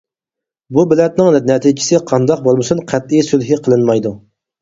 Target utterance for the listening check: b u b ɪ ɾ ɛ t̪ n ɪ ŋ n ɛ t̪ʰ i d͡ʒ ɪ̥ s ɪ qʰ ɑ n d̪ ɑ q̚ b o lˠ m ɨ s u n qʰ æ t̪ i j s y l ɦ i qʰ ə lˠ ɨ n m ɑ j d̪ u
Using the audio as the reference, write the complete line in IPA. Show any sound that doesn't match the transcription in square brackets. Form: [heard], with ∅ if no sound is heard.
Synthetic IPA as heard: b u b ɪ [l] ɛ t̪ n ɪ ŋ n ɛ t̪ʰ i d͡ʒ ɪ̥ s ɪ qʰ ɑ n d̪ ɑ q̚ b o lˠ m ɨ s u n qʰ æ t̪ i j s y l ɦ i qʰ ə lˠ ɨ n m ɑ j d̪ u